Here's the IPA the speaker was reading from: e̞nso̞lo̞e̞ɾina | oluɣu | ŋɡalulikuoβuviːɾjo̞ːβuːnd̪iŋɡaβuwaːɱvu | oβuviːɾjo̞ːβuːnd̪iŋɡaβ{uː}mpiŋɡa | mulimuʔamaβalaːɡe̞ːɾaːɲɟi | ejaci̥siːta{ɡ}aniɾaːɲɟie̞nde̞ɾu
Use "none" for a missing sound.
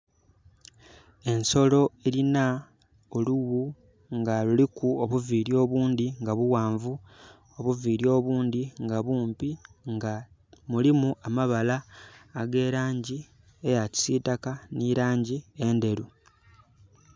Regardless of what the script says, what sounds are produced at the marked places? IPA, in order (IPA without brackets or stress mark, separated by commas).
uː, k